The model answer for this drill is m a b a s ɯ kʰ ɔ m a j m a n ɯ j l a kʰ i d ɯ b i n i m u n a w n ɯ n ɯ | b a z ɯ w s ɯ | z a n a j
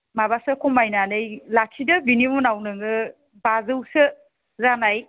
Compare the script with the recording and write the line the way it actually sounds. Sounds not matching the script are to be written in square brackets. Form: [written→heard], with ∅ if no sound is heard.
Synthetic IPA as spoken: m a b a s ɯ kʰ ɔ m a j [m→n] a n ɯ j l a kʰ i d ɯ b i n i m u n a w n ɯ [n→ŋ] ɯ | b a z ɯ w s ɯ | z a n a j